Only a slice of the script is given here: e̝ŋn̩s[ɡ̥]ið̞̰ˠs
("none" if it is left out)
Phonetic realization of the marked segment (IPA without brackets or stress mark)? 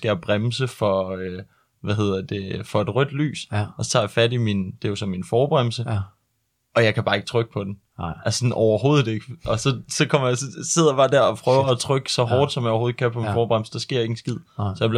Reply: ɡ̥